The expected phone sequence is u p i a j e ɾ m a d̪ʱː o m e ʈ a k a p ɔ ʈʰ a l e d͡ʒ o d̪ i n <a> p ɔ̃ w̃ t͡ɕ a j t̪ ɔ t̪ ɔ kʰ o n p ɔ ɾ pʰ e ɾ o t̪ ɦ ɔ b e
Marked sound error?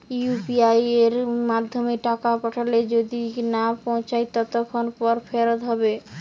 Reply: no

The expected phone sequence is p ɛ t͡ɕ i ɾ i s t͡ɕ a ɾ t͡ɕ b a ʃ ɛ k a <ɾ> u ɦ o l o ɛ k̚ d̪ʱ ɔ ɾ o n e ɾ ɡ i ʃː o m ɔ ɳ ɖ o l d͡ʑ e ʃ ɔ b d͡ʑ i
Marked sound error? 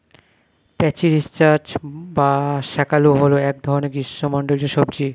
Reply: yes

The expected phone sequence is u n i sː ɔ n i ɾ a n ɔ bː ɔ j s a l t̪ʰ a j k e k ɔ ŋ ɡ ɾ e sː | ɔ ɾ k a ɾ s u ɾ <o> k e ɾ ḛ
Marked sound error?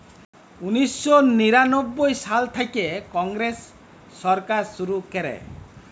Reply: yes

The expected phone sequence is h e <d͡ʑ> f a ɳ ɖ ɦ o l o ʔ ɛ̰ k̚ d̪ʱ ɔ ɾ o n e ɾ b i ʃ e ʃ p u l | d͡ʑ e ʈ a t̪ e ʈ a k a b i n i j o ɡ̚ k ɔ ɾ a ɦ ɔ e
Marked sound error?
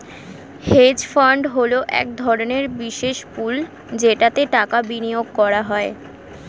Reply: no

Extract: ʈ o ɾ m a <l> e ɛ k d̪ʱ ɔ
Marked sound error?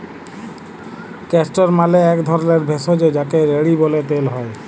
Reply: no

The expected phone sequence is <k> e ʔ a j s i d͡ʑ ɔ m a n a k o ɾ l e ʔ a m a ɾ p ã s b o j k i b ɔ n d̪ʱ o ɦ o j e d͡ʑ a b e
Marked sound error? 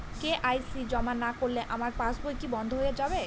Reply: no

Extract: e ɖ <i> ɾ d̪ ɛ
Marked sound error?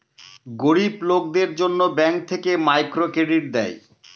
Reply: no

